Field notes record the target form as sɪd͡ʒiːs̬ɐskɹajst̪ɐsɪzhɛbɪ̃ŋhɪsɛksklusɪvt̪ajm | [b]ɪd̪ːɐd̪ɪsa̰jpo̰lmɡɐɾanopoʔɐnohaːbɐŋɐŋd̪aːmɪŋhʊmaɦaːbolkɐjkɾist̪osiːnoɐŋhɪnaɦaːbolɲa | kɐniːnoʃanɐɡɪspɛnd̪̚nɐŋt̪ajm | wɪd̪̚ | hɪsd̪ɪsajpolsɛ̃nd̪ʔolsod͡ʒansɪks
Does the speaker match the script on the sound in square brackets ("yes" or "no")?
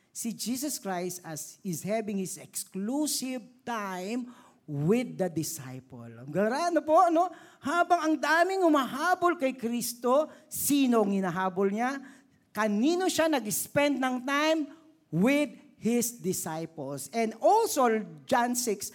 no